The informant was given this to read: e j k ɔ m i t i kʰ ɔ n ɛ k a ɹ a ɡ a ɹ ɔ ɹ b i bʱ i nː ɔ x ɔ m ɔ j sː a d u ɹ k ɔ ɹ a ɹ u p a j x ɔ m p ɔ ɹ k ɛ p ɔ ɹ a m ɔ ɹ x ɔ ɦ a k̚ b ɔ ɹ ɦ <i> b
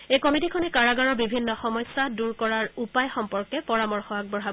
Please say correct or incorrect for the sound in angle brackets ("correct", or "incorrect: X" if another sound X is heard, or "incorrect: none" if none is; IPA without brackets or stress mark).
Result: incorrect: a